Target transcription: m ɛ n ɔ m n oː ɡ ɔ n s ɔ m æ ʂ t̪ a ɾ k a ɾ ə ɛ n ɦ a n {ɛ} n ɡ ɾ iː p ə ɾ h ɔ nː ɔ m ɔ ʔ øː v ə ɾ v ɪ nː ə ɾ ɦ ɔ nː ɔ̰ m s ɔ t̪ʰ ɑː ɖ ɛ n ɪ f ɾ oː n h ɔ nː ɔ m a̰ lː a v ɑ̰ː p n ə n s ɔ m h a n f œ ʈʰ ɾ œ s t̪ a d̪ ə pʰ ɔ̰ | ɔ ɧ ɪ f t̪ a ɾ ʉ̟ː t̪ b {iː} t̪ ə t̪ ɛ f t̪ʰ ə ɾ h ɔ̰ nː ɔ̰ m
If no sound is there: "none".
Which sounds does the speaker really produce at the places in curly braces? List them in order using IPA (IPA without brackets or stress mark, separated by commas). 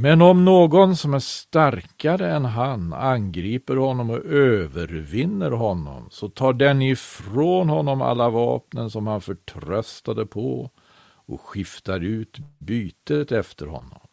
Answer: a, yː